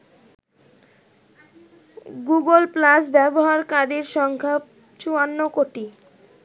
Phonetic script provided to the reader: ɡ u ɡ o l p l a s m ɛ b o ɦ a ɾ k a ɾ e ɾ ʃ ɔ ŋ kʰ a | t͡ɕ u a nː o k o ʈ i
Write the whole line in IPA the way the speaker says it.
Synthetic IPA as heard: ɡ u ɡ o l p l a s b ɛ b o ɦ a ɾ k a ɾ i ɾ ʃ ɔ ŋ kʰ a | t͡ɕ u a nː o k o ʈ i